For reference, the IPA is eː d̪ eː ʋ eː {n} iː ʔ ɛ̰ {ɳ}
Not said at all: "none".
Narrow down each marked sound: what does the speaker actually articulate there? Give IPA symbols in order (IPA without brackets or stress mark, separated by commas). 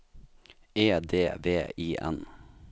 none, n